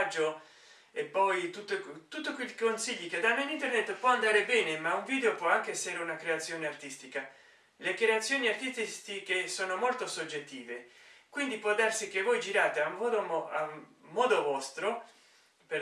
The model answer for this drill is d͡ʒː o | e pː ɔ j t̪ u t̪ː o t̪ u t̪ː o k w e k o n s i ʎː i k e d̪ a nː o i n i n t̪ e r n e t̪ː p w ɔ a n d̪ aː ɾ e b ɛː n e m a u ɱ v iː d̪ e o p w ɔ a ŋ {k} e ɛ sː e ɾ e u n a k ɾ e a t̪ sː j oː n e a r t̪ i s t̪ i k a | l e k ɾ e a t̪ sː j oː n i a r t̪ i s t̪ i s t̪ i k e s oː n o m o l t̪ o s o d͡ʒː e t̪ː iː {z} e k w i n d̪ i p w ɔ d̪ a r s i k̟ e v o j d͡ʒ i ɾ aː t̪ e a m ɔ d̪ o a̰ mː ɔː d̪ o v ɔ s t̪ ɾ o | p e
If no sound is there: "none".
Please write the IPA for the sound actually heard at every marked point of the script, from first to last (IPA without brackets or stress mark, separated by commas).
k, v